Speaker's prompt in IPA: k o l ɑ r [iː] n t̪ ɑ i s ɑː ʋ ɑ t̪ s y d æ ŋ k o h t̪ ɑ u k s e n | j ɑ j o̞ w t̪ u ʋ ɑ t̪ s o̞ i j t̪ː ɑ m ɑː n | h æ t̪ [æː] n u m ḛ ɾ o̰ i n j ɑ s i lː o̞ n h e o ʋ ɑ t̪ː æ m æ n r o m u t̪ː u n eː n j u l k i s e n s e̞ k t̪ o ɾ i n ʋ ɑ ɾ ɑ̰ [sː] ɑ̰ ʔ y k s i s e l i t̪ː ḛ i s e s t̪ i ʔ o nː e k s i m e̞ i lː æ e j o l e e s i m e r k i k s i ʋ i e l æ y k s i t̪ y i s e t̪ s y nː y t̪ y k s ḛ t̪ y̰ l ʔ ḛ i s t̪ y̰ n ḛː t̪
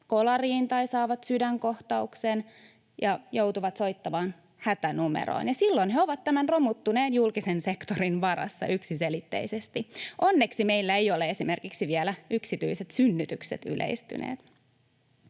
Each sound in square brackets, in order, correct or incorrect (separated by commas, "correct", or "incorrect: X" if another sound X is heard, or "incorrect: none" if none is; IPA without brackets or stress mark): correct, incorrect: æ, correct